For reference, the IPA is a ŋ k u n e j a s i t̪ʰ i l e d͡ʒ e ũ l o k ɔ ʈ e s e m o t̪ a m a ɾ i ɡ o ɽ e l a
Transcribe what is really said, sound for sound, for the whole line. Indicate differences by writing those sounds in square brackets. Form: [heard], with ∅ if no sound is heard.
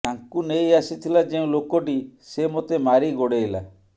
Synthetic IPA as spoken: a ŋ k u n e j a s i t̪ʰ i l [a] d͡ʒ e ũ l o k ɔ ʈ [i] s e m o t̪ [e] m a ɾ i ɡ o ɽ e l a

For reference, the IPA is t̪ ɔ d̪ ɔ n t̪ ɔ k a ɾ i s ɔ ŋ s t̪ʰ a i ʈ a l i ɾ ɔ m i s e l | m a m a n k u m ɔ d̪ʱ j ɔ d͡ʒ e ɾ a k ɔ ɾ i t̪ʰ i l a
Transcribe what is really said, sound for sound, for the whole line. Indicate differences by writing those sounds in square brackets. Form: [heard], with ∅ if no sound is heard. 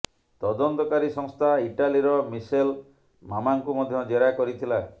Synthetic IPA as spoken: t̪ ɔ d̪ ɔ n t̪ ɔ k a ɾ i s ɔ ŋ s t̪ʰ a i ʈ a l i ɾ ɔ m i s e l | m a m a [ŋ] k u m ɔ d̪ʱ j ɔ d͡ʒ e ɾ a k ɔ ɾ i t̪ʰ i l a

